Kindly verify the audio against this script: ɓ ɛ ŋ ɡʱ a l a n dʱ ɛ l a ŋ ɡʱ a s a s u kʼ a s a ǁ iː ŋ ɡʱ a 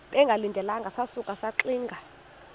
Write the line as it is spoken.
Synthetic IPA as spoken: ɓ ɛ ŋ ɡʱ a l i n dʱ ɛ l a ŋ ɡʱ a s a s u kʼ a s a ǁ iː ŋ ɡʱ a